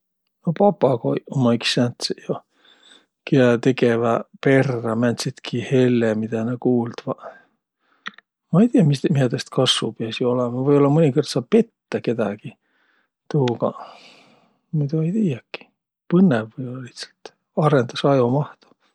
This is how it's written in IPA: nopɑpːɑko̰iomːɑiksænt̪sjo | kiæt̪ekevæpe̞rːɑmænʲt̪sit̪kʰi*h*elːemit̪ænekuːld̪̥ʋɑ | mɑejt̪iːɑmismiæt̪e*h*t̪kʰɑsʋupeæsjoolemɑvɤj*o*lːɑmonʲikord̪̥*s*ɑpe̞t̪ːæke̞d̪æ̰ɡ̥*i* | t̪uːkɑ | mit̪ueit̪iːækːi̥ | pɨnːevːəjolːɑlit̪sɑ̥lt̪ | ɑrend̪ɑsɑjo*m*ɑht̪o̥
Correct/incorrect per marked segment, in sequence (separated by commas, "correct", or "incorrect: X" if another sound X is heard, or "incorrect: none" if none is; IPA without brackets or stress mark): correct, incorrect: s, correct, correct, correct, correct